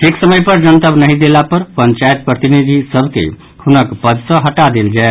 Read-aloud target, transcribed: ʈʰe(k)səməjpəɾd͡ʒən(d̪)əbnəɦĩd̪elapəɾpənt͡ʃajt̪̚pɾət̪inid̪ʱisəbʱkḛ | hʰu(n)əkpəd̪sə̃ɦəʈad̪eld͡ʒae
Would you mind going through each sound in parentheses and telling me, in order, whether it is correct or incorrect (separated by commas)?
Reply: correct, incorrect, correct